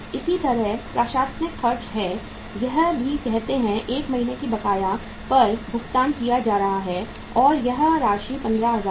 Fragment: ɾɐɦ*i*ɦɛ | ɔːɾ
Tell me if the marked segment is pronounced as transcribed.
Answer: no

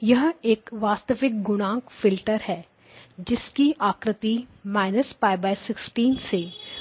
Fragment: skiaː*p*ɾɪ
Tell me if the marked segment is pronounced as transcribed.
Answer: no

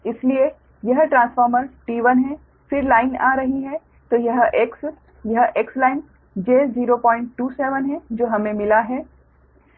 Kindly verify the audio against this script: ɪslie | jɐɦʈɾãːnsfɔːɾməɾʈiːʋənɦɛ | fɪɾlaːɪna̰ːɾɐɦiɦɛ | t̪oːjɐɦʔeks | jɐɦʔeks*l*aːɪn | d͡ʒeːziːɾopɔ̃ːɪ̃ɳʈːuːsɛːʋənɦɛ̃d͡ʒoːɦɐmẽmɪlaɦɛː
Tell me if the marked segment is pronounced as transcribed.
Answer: yes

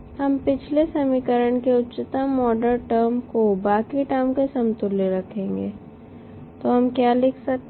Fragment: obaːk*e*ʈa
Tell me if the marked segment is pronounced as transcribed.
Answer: no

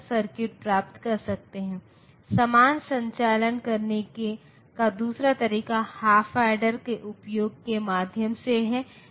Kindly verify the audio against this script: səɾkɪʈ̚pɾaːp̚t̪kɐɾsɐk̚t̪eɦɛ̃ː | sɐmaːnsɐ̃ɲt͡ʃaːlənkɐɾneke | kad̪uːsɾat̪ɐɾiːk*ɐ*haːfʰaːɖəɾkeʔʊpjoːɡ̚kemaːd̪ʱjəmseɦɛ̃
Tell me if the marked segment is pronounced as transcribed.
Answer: no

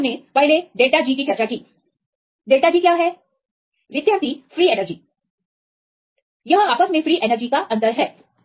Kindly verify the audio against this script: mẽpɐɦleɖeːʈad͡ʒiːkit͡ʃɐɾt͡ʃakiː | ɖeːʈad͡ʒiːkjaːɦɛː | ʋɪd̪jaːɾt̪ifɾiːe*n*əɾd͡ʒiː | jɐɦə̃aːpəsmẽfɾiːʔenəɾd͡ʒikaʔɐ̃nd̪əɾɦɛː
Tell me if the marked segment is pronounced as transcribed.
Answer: yes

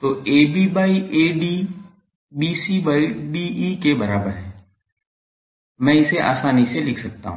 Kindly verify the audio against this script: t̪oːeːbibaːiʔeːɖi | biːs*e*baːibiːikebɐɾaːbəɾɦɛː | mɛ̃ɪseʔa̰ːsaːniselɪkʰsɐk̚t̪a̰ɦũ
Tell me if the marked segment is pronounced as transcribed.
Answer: no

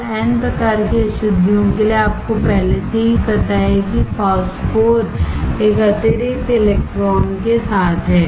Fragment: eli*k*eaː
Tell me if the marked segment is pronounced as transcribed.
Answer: no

